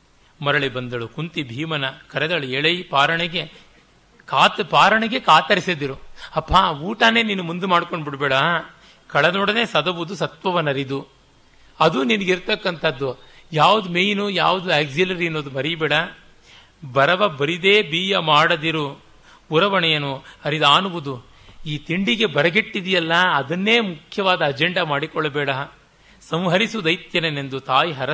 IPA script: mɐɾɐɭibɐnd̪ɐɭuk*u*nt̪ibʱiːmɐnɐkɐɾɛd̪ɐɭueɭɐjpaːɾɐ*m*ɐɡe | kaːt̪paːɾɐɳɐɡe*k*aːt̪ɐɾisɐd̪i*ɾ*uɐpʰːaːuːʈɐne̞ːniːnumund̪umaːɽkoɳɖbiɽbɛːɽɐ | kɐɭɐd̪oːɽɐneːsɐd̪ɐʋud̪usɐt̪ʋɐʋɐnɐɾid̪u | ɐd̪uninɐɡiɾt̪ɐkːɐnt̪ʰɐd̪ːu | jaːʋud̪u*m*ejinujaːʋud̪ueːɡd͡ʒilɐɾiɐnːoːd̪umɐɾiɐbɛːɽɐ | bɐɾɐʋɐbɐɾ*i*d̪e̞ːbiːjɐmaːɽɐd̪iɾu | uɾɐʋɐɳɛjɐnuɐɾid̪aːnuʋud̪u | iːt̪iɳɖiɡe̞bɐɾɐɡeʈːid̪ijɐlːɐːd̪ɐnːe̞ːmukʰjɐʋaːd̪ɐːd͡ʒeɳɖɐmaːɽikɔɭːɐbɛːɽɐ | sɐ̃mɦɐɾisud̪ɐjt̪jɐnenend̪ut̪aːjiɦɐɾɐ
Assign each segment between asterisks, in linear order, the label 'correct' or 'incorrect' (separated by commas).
correct, incorrect, correct, correct, correct, correct